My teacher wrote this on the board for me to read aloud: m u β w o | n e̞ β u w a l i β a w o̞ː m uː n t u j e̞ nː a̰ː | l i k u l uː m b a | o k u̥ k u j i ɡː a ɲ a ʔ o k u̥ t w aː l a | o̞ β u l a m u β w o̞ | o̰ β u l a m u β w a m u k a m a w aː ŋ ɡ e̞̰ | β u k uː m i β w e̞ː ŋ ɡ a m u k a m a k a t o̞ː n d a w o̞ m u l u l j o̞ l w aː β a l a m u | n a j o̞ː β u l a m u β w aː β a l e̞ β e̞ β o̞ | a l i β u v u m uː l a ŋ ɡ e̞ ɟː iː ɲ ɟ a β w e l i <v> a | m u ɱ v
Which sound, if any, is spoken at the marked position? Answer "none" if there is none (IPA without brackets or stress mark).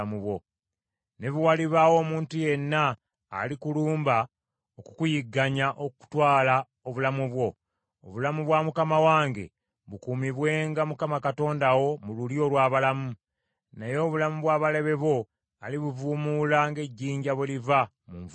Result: v